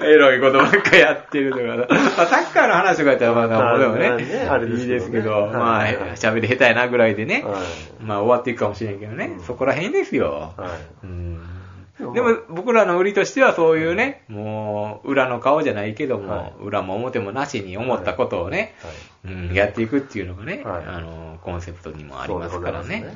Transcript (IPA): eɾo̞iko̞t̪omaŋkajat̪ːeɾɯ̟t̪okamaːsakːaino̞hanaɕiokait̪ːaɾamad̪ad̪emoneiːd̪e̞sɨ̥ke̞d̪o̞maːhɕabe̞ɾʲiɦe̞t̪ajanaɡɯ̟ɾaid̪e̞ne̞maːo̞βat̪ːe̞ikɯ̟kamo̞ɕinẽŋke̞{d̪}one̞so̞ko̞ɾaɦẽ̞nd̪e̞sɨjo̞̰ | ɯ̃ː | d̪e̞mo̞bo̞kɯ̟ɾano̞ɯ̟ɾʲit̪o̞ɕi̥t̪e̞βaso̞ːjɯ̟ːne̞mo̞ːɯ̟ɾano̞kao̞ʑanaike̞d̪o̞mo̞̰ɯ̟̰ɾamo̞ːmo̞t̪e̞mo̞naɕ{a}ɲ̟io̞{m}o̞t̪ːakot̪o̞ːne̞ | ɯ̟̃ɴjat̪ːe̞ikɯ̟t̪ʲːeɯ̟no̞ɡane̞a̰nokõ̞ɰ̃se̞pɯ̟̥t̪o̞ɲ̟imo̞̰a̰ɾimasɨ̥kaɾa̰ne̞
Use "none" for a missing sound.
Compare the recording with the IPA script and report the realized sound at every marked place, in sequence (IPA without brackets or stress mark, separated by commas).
d̪, i, m